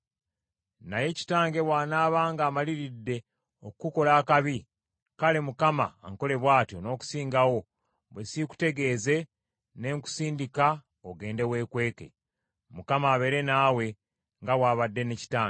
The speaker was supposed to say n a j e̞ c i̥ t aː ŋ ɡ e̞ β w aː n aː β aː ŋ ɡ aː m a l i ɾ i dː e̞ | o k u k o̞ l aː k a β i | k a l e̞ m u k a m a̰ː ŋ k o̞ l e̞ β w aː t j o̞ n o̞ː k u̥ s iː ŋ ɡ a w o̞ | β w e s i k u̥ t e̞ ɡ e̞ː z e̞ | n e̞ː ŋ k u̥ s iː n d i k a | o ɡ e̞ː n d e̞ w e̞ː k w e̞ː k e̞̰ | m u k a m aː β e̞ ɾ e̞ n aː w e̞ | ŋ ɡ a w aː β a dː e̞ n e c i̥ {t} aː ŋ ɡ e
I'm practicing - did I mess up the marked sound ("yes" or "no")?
no